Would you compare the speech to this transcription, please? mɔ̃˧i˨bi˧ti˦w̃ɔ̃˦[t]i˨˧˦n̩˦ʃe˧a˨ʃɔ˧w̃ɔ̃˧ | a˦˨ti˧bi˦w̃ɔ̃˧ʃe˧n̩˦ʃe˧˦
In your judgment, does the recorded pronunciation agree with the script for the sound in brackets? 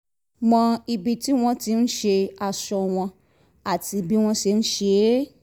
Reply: yes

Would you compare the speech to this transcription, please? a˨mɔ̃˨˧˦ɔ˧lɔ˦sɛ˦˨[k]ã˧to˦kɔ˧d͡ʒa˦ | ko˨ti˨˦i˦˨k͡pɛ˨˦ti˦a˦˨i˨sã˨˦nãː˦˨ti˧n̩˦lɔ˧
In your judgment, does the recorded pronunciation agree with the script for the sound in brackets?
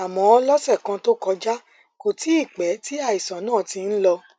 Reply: yes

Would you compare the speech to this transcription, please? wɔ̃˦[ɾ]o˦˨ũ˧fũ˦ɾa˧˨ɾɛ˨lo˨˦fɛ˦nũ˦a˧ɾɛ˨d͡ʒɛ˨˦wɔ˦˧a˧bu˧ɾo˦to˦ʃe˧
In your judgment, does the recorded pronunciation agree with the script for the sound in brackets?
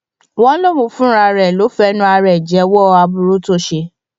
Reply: no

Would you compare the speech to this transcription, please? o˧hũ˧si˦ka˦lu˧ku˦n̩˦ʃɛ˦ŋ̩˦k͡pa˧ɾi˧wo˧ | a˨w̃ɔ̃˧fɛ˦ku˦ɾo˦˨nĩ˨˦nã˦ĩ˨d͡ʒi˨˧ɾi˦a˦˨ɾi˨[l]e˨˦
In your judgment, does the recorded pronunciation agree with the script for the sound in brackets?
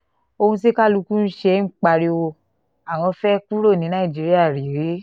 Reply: no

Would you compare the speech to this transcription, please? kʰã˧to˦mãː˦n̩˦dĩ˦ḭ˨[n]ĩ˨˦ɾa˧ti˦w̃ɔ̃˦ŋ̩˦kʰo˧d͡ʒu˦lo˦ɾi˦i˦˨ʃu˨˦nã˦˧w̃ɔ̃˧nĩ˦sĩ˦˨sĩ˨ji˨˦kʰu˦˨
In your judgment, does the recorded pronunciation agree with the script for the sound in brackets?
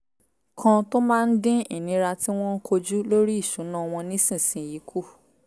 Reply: yes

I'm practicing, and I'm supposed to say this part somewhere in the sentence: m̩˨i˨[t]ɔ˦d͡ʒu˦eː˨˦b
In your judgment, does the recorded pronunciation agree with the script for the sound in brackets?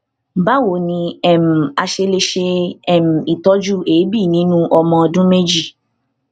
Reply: yes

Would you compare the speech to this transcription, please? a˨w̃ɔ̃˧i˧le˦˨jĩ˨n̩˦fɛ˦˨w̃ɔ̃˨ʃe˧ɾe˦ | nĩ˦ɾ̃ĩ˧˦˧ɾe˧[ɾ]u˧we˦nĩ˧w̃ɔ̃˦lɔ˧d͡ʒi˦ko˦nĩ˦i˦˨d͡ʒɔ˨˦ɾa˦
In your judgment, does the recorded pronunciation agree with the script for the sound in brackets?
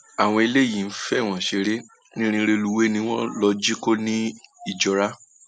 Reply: no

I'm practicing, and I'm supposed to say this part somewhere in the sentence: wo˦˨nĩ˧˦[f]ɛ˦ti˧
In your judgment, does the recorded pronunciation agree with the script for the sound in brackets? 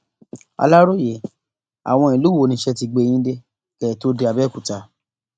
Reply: no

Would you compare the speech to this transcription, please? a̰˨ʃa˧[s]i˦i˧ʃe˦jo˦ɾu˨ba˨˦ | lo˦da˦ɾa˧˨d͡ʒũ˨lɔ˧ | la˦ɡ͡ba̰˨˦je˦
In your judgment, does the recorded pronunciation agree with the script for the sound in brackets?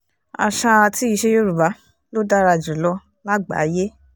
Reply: no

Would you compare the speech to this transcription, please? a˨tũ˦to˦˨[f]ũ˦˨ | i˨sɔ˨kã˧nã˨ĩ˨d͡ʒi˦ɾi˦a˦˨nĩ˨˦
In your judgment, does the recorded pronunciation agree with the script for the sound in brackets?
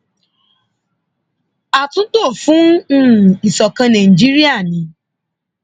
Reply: yes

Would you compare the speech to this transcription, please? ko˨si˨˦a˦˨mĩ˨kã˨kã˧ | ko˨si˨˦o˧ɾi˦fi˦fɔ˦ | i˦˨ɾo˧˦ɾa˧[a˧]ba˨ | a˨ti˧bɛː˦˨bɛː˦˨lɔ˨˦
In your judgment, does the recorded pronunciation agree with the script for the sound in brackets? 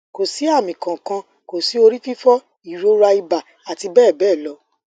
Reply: no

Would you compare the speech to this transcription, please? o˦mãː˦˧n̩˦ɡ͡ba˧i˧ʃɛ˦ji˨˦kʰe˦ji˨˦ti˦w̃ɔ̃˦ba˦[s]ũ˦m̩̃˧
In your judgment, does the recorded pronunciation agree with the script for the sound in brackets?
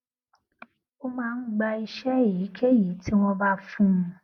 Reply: no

